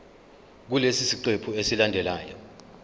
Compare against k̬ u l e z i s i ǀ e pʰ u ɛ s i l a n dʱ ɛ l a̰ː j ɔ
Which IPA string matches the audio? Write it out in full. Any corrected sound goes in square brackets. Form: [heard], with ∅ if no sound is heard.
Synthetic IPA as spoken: k̬ u l e [s] i s i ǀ e pʰ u [e] s i l a n dʱ ɛ l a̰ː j ɔ